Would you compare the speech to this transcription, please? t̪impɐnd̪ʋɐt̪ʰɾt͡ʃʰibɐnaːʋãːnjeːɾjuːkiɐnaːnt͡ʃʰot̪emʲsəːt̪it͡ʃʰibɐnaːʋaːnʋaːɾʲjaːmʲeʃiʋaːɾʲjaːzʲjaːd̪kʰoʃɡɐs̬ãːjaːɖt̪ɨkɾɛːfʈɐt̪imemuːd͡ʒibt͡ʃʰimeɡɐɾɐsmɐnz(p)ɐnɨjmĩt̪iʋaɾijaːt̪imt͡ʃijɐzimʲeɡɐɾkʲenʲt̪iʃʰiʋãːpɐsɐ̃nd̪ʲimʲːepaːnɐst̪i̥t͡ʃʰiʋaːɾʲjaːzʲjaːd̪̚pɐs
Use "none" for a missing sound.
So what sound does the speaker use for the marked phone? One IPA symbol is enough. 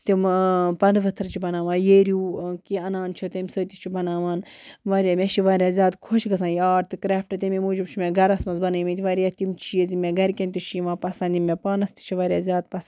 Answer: b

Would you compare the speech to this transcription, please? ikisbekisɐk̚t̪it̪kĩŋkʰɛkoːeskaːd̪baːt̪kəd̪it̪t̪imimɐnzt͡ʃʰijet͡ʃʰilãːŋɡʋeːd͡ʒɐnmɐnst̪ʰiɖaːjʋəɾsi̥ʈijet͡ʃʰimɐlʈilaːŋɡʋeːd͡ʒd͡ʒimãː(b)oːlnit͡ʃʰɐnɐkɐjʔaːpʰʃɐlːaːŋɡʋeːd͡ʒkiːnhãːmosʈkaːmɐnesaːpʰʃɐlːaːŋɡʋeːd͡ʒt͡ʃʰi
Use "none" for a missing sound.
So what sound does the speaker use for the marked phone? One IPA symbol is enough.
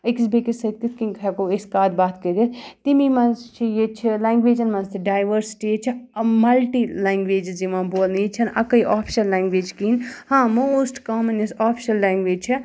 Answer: b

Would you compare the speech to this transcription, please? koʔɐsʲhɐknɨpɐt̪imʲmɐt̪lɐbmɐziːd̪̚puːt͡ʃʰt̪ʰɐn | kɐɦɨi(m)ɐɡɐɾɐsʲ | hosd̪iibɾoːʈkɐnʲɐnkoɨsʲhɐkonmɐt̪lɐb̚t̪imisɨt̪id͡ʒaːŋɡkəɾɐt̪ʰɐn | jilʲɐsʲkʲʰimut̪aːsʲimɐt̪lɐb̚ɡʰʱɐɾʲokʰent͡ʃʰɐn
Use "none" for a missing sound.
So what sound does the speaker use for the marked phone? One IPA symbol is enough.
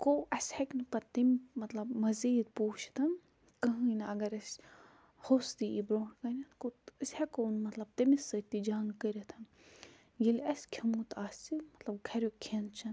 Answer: n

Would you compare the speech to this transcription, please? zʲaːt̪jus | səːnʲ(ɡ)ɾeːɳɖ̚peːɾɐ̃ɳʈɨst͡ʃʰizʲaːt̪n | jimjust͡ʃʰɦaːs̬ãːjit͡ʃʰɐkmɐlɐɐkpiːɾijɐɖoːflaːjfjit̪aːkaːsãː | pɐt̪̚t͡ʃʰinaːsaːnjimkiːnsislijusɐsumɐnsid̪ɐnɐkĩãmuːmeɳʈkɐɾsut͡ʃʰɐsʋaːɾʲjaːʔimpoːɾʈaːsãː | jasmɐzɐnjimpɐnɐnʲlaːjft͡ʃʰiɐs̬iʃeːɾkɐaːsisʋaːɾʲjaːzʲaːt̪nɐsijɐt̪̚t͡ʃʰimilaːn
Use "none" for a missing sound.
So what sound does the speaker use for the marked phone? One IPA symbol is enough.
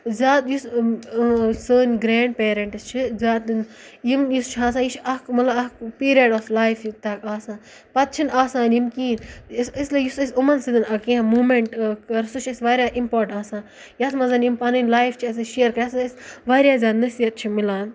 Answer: ɡ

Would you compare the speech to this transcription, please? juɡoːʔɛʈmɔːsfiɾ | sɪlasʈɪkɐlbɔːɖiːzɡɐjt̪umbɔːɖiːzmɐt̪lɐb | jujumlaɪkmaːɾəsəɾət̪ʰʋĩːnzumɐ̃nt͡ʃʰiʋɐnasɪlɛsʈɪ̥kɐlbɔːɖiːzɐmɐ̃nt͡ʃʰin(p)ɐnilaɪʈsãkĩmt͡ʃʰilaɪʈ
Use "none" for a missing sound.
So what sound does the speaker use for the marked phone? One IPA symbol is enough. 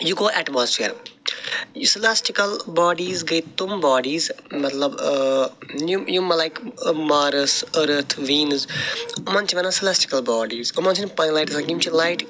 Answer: p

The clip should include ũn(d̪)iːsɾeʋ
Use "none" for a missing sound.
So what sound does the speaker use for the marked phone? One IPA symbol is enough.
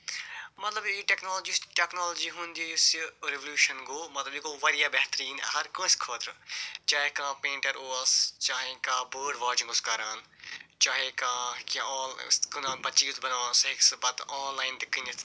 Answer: d̪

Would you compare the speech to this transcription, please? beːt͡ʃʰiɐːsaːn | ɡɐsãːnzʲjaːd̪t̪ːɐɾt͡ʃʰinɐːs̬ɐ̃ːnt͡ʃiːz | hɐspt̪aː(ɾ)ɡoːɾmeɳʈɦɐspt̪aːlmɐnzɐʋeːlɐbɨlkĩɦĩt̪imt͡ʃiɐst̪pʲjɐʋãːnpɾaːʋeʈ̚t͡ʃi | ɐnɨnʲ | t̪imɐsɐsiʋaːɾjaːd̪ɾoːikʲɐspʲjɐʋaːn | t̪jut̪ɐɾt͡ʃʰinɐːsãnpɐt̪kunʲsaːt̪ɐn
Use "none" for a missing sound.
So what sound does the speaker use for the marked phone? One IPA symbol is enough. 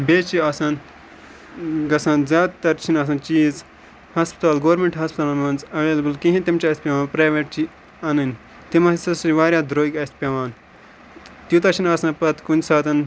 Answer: l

